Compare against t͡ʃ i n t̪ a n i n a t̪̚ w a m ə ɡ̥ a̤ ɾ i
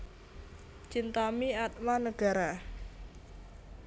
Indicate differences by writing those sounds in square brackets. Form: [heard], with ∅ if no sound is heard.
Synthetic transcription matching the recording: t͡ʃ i n t̪ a [m] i [∅] a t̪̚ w a [n] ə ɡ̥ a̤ ɾ [a]